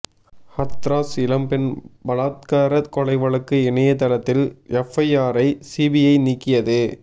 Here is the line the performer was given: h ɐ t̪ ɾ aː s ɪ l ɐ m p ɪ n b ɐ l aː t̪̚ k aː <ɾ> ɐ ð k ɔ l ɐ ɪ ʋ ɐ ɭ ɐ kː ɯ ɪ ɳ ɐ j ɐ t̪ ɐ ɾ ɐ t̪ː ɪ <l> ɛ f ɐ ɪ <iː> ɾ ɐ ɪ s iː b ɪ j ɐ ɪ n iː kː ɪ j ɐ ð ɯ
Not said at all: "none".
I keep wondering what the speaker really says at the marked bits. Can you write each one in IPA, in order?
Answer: ɾ, l, aː

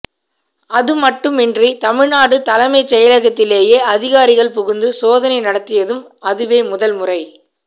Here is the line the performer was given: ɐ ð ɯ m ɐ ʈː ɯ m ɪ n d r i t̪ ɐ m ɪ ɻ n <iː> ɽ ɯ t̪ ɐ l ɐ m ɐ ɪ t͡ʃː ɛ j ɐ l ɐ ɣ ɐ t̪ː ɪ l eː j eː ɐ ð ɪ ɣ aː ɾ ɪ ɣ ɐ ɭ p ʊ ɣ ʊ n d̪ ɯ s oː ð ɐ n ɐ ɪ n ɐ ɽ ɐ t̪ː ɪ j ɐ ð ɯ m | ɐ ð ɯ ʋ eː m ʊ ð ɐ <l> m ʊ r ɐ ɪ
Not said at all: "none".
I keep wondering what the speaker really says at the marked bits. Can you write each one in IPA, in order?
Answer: aː, l

